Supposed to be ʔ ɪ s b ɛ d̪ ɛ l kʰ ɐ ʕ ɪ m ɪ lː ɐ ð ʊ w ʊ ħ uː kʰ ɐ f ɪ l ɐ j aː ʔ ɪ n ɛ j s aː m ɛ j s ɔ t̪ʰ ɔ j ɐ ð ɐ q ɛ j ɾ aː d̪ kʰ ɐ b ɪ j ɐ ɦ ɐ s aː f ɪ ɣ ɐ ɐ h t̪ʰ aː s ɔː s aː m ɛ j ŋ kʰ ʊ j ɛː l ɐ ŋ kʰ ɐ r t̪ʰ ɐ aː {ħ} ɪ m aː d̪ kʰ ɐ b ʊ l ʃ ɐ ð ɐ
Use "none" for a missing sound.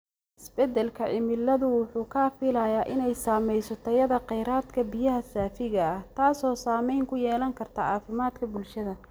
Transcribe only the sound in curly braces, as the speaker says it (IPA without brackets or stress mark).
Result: f